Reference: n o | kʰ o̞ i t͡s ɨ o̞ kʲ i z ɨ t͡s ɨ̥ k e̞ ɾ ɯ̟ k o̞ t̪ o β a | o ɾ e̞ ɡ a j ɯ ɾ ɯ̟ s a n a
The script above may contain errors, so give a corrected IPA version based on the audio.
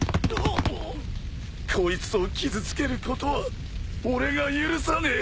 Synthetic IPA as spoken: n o | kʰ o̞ i t͡s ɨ o̞ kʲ i z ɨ t͡s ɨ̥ k e̞ ɾ ɯ̟ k o̞ t̪ o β a | o ɾ e̞ ɡ a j ɯ ɾ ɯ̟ s a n e